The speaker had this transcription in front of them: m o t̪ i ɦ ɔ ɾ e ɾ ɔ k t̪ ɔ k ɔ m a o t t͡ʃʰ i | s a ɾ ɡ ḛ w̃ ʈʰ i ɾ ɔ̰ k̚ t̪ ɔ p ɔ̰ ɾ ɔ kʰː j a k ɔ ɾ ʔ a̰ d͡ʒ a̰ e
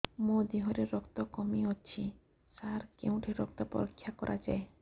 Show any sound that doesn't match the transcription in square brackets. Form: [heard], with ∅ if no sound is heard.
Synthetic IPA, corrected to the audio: m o [d̪] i ɦ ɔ ɾ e ɾ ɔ k t̪ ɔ k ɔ m [i] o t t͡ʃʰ i | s a ɾ [k] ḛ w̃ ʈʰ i ɾ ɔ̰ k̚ t̪ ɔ p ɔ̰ ɾ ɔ kʰː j a k ɔ ɾ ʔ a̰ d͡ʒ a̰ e